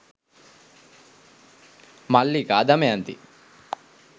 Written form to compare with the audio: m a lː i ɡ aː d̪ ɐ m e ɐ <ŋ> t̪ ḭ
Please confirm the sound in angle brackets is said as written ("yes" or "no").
no